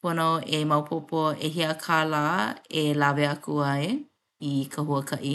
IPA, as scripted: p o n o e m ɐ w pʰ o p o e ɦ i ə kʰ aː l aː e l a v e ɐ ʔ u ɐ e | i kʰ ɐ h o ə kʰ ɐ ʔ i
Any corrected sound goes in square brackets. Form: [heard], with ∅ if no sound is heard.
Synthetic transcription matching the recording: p o n o e m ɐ w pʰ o p o e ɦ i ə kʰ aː l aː e l a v e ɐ [k] u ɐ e | i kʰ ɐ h [u] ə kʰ ɐ ʔ i